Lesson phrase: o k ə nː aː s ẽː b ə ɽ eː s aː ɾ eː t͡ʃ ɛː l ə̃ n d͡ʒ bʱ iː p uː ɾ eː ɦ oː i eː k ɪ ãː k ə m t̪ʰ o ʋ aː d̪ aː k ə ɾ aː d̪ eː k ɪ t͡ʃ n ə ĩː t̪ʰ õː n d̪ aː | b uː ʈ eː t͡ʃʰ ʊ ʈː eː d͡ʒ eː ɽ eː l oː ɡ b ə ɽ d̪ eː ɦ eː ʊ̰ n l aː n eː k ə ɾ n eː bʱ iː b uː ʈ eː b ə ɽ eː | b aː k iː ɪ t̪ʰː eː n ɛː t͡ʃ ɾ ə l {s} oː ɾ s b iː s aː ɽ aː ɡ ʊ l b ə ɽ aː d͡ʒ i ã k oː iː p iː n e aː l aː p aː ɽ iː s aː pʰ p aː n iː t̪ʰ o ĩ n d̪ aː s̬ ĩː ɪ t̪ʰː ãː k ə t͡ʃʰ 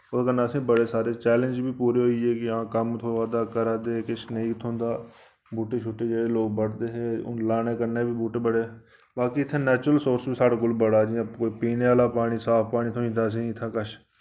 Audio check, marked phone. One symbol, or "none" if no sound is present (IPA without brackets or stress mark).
s